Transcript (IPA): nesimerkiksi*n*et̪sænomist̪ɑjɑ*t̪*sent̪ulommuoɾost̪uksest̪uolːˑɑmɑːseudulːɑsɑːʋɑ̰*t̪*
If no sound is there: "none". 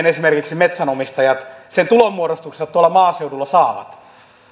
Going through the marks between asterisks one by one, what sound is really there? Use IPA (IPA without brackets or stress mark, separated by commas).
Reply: m, t̪, t̪